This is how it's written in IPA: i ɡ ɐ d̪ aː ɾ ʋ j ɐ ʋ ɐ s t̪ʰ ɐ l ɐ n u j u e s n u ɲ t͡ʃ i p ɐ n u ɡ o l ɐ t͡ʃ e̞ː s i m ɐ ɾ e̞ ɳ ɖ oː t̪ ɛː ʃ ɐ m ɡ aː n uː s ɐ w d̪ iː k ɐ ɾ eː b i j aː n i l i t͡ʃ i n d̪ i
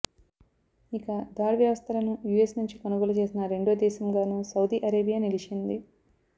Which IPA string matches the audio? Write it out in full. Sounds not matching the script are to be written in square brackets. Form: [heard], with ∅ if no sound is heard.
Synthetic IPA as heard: i [k] ɐ d̪ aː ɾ ʋ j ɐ ʋ ɐ s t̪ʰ ɐ l ɐ n u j u e s n u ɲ t͡ʃ i [k] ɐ n u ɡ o l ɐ t͡ʃ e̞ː s i [n] ɐ ɾ e̞ ɳ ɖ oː [d̪] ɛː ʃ ɐ m ɡ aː n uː s ɐ w d̪ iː [ʔ] ɐ ɾ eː b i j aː n i l i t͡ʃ i n d̪ i